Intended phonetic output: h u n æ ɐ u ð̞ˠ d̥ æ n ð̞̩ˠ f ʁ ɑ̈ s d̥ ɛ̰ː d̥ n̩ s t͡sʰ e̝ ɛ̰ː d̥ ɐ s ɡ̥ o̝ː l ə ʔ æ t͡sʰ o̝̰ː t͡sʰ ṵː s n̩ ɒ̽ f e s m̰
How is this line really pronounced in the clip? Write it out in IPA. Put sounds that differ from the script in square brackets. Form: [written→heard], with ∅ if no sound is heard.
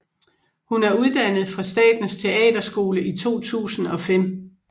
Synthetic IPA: h u n æ ɐ u ð̞ˠ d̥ æ n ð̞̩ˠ f ʁ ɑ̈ s d̥ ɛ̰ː d̥ n̩ s t͡sʰ e̝ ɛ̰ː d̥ ɐ s ɡ̥ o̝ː l ə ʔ [æ→i] t͡sʰ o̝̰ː t͡sʰ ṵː s n̩ ɒ̽ f e [s→∅] m̰